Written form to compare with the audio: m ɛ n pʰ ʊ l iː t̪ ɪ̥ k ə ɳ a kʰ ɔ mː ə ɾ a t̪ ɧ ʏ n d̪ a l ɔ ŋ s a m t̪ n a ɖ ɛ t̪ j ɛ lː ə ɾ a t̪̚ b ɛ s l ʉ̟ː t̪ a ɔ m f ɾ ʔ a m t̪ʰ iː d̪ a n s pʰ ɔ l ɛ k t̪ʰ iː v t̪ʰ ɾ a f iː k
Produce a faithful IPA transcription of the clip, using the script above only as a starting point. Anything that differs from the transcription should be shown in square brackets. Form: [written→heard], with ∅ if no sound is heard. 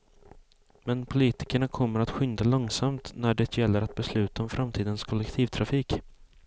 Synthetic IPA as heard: m ɛ n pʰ ʊ l iː t̪ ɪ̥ k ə ɳ a kʰ ɔ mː ə ɾ a t̪ ɧ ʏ n d̪ a l ɔ ŋ s a m t̪ n [a→æ] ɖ ɛ t̪ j ɛ lː ə ɾ a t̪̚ b ɛ s l ʉ̟ː t̪ a ɔ m f ɾ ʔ a m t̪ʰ iː d̪ [a→ə] n s [pʰ→kʰ] ɔ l ɛ k t̪ʰ iː v t̪ʰ ɾ a f iː k